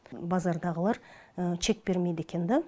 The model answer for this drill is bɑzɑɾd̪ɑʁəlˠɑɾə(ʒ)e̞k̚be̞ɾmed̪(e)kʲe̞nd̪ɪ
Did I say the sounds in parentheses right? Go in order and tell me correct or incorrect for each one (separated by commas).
incorrect, correct